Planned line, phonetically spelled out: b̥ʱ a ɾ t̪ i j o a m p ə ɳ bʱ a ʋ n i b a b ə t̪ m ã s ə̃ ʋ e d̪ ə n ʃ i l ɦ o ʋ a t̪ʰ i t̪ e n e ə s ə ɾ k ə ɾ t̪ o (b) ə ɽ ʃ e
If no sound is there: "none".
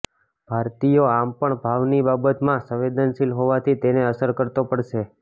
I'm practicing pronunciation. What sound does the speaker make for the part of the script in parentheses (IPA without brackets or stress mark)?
p